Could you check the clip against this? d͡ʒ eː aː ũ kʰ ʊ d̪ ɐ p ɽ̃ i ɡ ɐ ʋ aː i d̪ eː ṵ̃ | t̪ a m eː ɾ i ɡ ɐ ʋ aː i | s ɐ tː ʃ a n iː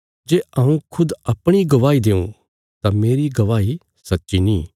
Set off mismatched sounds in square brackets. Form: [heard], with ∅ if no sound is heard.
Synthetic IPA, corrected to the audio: d͡ʒ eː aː ũ kʰ ʊ d̪ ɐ p ɽ̃ i ɡ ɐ ʋ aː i d̪ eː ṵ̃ | t̪ a m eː ɾ i ɡ ɐ ʋ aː i | s ɐ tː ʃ [i] n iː